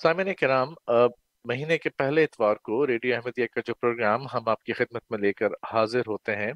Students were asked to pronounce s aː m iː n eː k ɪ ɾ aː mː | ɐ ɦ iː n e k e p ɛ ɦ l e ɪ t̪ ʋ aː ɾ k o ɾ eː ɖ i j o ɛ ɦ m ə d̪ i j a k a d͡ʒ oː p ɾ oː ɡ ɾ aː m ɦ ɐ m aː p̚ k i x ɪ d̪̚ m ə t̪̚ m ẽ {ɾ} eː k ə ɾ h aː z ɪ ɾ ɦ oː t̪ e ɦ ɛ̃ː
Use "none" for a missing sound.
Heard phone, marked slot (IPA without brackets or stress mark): l